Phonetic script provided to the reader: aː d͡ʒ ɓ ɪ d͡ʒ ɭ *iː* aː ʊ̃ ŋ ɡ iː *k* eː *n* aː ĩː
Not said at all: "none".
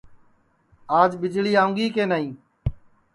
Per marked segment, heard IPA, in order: iː, k, n

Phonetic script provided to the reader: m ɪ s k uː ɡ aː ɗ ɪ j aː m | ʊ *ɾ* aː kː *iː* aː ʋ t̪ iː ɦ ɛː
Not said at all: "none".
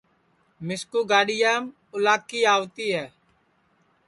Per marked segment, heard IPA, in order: l, iː

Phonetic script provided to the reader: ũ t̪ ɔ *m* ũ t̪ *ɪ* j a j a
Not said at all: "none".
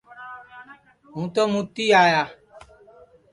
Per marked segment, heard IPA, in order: m, i

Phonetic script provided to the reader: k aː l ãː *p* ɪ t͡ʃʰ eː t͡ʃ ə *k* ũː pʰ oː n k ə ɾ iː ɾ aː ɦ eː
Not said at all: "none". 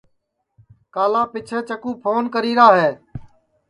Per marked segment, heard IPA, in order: p, k

